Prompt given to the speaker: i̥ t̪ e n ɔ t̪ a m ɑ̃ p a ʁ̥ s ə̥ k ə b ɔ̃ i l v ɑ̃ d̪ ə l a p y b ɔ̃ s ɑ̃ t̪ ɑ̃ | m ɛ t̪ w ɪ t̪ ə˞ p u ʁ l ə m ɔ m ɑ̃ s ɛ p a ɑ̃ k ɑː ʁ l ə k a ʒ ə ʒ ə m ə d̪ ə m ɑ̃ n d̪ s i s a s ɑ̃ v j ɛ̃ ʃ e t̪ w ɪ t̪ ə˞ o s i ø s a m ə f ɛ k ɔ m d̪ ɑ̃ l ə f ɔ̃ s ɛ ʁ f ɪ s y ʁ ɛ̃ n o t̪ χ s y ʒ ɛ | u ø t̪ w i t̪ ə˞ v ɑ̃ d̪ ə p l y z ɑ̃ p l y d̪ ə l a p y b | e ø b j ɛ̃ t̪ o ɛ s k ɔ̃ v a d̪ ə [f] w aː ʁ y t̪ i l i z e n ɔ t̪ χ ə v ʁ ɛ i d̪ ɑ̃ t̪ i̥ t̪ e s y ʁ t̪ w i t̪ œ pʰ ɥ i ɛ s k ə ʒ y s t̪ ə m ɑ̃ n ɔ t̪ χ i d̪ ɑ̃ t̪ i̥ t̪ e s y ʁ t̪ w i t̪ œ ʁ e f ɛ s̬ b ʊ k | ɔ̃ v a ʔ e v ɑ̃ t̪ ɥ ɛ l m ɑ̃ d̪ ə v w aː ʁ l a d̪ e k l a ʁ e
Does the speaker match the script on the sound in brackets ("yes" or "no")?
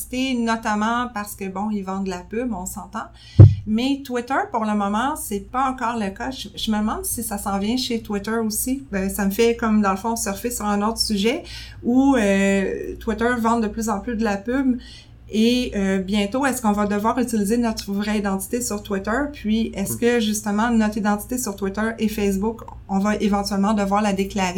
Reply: no